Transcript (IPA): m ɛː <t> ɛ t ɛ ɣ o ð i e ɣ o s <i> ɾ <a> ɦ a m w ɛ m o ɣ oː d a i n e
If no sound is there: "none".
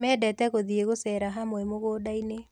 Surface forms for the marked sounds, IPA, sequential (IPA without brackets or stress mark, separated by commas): d, ɛ, a